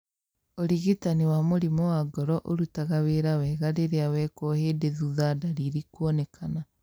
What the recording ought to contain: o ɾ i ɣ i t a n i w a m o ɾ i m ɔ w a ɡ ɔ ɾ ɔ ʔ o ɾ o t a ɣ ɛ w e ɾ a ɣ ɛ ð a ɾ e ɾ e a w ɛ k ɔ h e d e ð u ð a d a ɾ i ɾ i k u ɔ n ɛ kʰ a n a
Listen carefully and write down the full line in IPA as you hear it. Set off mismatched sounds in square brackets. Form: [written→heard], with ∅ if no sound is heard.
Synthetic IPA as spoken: o ɾ i ɣ i t a n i w a m o ɾ i m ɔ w a ɡ ɔ ɾ ɔ ʔ o ɾ [o→u] t a ɣ [ɛ→a] w e ɾ a [ɣ→w] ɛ [ð→ɣ] a ɾ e ɾ e a w ɛ k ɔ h e d e ð u ð a d a ɾ i ɾ i k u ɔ n ɛ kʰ a n a